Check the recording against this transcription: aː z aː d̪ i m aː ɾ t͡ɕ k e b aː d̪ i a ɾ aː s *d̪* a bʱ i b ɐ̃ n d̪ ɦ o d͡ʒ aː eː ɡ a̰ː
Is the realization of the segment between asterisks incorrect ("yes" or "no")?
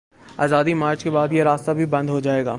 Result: yes